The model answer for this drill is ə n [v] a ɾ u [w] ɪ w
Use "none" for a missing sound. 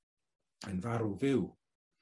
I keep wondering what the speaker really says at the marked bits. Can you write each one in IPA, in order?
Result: v, v

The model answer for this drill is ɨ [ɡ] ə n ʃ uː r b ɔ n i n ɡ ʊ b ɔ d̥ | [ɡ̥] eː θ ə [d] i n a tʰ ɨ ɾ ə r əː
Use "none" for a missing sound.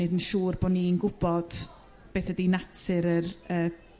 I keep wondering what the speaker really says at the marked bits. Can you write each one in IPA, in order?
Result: d, b̥, d

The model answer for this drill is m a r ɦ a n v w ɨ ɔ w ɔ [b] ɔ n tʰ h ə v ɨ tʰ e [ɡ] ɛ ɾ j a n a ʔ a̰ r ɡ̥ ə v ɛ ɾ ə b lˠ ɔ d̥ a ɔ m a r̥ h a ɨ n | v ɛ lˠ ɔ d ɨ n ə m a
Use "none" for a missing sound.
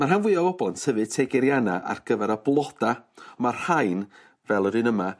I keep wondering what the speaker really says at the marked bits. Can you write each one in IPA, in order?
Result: b, ɡ

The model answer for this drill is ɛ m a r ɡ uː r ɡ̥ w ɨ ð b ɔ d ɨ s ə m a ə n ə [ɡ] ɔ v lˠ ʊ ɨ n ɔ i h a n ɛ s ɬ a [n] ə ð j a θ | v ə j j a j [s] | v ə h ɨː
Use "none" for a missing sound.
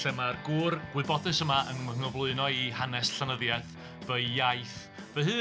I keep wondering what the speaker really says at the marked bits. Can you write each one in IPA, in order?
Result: ŋ, n, θ

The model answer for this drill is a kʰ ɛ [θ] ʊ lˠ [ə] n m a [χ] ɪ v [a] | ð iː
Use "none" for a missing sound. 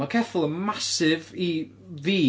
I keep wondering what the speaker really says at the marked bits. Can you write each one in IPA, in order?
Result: θ, ə, s, i

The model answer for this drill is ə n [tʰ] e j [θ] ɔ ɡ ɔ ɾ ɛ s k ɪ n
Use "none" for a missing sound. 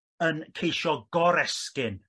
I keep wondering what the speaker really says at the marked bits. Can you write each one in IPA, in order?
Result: kʰ, ʃ

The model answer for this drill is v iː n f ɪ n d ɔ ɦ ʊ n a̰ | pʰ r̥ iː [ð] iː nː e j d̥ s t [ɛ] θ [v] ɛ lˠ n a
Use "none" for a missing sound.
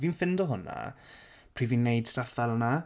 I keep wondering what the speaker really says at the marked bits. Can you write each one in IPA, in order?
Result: v, a, v

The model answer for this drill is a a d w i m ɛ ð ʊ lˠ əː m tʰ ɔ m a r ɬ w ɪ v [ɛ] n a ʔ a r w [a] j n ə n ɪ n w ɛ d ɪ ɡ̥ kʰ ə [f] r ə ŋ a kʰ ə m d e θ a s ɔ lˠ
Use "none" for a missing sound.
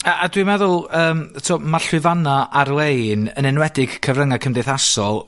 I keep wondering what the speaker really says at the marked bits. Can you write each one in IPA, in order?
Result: a, e, v

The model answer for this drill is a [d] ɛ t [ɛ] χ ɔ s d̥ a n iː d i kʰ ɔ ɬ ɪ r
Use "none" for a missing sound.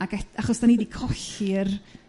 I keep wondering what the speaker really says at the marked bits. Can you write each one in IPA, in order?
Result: ɡ, a

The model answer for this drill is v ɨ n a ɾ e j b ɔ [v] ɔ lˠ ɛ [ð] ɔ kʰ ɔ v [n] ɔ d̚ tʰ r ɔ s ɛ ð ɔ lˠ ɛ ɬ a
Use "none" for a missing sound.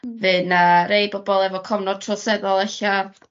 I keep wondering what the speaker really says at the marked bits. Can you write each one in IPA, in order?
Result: b, v, n

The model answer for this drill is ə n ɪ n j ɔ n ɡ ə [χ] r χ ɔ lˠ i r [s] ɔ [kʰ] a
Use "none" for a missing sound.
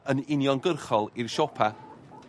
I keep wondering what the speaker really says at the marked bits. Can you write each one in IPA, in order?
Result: none, ʃ, pʰ

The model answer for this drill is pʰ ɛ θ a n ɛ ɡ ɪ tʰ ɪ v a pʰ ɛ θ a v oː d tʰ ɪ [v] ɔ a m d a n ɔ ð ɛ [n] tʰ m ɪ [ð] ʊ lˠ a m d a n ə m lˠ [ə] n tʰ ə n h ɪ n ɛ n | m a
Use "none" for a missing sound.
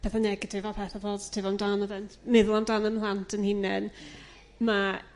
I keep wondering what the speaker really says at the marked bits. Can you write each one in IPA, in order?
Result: v, n, ð, a

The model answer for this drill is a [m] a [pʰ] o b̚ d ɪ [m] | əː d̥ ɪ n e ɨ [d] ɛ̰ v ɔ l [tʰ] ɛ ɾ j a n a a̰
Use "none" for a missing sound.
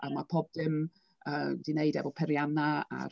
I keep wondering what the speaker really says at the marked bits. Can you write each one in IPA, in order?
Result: m, pʰ, m, d, pʰ

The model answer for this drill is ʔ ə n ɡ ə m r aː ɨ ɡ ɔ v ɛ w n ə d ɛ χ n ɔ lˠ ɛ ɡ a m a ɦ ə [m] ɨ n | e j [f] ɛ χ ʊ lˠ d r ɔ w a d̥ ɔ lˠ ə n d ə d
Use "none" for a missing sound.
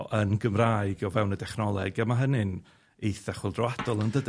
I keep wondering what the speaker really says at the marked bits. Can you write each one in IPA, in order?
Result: n, θ

